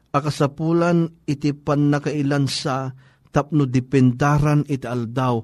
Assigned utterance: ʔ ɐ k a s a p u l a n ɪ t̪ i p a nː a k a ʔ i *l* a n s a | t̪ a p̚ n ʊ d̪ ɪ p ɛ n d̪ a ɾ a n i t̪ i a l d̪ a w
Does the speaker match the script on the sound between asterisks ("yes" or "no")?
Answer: yes